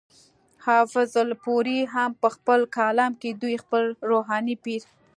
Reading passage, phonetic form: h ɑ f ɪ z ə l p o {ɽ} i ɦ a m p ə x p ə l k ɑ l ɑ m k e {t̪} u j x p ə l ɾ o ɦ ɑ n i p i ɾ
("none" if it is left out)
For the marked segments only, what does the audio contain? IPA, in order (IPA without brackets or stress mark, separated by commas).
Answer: ɾ, d̪